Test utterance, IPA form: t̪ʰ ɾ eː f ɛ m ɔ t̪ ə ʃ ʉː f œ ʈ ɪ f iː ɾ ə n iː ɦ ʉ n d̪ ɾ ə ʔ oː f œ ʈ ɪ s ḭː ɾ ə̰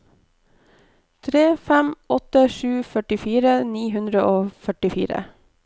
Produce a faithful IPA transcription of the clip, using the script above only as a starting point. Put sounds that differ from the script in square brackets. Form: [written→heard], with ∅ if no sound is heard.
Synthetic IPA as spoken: t̪ʰ ɾ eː f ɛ m ɔ t̪ ə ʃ ʉː f œ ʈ ɪ f iː ɾ ə n iː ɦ ʉ n d̪ ɾ ə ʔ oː f œ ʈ ɪ [s→f] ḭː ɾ ə̰